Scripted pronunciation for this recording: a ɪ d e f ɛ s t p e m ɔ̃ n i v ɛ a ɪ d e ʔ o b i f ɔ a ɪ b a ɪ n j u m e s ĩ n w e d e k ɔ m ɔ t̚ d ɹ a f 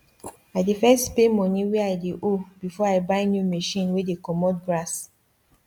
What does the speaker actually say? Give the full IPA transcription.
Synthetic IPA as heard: a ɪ d e f ɛ s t p e m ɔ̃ n i w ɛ a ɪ d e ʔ o b i f ɔ a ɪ b a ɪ n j u m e ʃ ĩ n w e d e k ɔ m ɔ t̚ ɡ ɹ a s